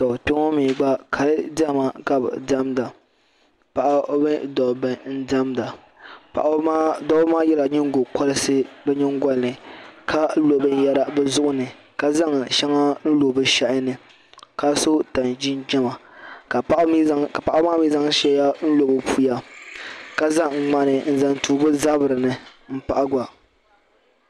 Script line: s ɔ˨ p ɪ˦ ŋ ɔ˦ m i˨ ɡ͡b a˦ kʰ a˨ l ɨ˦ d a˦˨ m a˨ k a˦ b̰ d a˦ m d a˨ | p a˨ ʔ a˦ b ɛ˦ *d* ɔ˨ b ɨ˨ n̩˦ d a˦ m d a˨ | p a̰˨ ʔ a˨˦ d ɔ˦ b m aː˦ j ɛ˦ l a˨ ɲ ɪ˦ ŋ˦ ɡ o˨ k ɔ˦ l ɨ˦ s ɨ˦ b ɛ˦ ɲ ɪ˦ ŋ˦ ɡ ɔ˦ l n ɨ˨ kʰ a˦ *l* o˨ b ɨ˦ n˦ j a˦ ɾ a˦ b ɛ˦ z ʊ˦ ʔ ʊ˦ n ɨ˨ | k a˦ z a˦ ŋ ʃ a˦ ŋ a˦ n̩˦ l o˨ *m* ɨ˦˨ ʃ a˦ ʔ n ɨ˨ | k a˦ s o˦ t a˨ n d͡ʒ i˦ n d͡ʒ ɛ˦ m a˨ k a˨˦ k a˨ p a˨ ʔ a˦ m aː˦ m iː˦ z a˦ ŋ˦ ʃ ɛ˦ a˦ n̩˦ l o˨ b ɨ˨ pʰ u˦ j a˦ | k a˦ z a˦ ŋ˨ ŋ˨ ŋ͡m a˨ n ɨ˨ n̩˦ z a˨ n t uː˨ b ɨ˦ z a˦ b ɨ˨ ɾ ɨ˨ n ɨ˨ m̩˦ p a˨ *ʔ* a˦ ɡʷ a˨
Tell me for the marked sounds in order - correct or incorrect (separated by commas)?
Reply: correct, correct, incorrect, correct